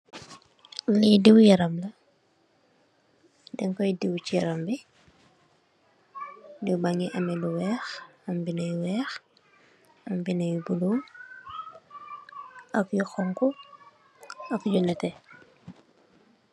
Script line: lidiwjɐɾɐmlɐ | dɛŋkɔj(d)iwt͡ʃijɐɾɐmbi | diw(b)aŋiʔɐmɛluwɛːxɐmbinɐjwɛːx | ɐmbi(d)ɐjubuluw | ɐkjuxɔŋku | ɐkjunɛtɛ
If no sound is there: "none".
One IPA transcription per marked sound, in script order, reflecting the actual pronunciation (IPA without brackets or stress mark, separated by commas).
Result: d, b, n